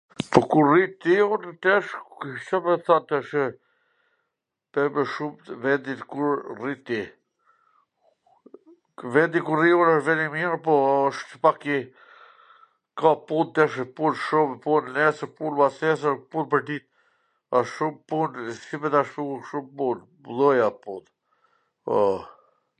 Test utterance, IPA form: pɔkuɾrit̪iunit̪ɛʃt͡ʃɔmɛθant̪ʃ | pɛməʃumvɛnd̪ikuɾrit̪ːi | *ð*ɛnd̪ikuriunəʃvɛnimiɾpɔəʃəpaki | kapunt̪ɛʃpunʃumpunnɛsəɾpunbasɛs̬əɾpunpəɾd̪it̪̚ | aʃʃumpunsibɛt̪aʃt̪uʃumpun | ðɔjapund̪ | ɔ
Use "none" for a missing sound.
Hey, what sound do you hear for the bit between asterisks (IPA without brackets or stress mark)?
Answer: v